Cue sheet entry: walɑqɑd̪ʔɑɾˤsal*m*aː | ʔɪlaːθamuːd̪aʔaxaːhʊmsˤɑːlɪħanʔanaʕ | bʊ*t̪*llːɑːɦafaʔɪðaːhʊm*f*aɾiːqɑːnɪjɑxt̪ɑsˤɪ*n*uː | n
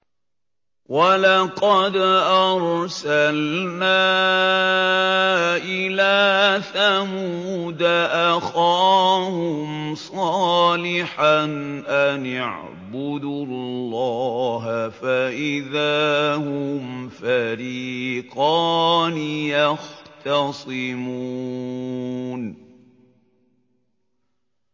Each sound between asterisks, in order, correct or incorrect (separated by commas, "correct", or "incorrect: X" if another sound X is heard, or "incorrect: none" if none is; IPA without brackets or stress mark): incorrect: n, incorrect: d̪, correct, incorrect: m